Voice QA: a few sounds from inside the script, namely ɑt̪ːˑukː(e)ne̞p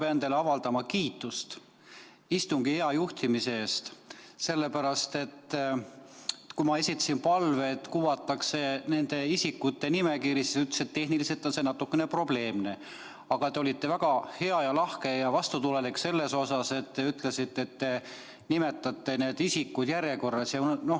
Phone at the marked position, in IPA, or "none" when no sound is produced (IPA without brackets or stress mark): e